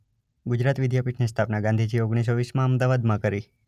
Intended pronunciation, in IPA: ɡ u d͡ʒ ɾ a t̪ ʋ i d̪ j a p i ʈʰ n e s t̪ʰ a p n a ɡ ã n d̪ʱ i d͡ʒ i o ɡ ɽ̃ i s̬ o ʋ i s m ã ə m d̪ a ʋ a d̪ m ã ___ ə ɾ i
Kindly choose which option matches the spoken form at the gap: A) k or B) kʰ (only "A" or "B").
A